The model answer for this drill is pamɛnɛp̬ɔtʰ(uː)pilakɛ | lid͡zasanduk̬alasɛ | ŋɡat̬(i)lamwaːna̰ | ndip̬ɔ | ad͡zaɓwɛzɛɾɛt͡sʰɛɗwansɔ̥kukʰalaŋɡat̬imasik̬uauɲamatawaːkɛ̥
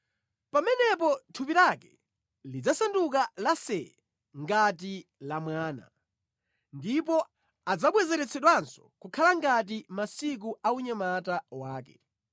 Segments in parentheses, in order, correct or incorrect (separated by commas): incorrect, correct